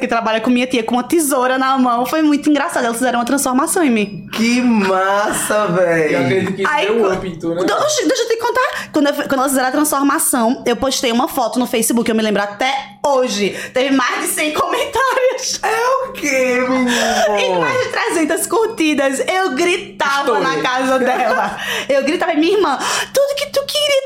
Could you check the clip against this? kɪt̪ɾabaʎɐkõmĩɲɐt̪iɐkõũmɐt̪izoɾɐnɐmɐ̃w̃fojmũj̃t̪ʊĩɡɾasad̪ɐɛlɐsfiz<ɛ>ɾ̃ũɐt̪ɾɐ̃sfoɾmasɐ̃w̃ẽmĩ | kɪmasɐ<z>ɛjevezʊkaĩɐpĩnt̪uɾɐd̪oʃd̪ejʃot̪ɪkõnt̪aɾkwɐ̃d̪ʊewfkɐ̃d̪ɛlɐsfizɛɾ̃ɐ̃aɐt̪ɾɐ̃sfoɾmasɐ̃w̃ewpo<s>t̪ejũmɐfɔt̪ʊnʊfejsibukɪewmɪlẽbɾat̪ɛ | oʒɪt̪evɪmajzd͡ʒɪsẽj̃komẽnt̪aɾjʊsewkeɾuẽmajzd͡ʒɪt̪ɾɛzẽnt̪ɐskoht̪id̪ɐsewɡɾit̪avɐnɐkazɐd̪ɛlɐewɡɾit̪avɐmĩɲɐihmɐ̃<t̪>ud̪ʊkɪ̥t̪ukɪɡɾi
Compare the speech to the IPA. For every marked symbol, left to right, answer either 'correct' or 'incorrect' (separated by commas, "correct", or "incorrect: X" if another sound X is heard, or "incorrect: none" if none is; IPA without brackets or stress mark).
correct, incorrect: v, incorrect: ʃ, correct